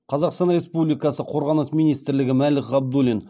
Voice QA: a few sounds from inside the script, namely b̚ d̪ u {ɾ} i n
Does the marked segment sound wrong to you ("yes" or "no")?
yes